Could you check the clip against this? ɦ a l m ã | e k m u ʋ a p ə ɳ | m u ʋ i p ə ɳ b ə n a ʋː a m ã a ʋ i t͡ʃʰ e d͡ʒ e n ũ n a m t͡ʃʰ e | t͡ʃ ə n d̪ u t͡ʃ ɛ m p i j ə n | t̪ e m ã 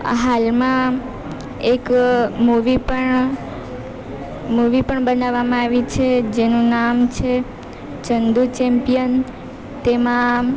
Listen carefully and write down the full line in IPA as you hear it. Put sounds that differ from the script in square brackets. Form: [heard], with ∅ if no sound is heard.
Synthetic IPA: ɦ a l m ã | e k m u ʋ [i] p ə ɳ | m u ʋ i p ə ɳ b ə n a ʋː a m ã a ʋ i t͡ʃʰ e d͡ʒ e n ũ n a m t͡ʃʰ e | t͡ʃ ə n d̪ u t͡ʃ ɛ m p i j ə n | t̪ e m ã